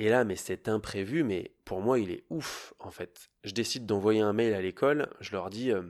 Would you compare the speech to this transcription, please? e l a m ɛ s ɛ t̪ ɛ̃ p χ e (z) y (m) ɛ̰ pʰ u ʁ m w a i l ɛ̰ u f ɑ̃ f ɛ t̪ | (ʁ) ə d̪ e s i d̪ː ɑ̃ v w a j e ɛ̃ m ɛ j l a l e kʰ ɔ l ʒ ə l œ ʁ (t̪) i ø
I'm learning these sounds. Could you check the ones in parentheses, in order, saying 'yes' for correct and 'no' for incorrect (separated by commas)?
no, yes, no, no